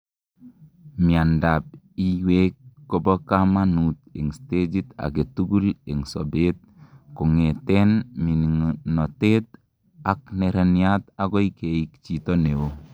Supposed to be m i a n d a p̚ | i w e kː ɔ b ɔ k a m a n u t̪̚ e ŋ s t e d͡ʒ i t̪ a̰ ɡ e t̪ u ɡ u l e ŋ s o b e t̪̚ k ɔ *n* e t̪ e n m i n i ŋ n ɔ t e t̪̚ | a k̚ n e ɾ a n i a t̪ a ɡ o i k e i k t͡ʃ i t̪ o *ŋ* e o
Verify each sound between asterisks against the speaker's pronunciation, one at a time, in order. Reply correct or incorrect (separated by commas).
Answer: incorrect, incorrect